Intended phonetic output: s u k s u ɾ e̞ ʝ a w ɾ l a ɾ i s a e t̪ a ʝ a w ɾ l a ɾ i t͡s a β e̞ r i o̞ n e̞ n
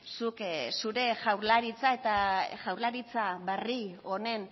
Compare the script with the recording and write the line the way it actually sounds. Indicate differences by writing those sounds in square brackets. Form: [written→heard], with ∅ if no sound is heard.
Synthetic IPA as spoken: s u k s u ɾ e̞ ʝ a w ɾ l a ɾ i [s→t͡s] a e t̪ a ʝ a w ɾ l a ɾ i t͡s a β e̞ r i o̞ n e̞ n